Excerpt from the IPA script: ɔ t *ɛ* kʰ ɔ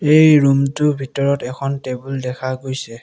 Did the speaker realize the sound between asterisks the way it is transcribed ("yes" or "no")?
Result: yes